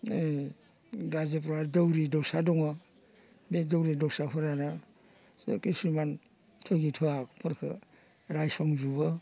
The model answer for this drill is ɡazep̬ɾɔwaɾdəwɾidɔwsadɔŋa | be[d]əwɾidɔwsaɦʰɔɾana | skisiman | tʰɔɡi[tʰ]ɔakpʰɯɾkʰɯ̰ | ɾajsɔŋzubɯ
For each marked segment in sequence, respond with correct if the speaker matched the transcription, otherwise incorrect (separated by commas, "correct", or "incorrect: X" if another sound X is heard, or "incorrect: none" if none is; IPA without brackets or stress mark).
correct, correct